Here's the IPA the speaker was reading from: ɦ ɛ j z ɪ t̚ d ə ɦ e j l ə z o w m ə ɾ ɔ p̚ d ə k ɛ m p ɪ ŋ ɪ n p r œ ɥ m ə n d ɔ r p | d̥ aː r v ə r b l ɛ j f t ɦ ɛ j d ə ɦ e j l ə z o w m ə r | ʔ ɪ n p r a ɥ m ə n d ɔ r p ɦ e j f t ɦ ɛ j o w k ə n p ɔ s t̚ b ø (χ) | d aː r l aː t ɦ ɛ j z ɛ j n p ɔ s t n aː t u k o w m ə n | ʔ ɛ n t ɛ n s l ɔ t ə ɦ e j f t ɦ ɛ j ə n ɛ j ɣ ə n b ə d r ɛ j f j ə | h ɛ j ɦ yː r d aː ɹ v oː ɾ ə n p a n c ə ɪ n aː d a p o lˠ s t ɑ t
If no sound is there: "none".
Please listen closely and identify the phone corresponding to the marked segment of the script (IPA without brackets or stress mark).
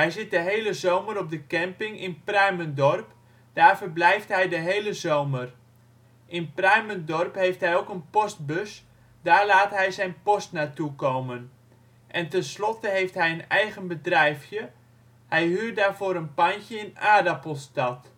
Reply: s